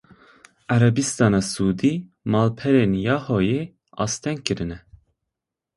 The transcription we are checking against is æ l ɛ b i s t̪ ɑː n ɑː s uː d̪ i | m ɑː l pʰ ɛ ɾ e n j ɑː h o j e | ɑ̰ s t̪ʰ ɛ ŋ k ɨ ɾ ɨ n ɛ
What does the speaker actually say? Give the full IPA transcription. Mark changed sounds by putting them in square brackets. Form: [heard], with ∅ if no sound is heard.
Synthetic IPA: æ [ɾ] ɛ b i s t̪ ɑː n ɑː s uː d̪ i | m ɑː l pʰ ɛ ɾ e n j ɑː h o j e | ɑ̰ s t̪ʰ ɛ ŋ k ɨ ɾ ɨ n ɛ